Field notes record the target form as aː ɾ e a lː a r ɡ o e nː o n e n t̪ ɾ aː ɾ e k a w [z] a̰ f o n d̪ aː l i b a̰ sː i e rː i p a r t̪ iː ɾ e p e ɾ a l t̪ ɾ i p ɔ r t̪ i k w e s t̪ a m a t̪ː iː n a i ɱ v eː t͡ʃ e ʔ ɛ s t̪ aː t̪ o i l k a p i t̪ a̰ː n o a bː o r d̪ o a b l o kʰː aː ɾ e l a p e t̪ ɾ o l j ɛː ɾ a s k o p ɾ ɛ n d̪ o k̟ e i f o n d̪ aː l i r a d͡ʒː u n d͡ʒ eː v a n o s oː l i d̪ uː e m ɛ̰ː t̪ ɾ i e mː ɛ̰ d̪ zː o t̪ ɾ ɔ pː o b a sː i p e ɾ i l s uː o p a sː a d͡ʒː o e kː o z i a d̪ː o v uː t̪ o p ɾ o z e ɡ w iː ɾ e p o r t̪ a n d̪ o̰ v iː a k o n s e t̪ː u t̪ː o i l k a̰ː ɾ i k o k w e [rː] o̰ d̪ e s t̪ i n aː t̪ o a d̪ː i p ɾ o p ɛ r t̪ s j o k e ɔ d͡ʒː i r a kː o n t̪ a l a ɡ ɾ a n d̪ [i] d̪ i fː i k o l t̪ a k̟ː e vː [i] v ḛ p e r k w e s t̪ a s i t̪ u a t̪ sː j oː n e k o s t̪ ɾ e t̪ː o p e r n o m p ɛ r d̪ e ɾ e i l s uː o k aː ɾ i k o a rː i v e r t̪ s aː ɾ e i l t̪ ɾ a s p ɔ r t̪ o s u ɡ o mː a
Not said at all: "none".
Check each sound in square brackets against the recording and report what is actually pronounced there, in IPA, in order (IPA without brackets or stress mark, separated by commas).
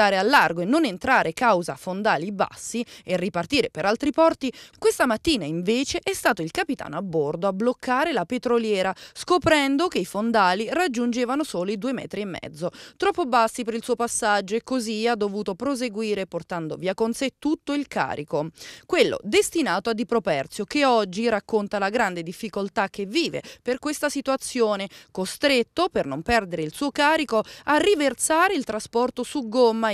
z, lː, e, iː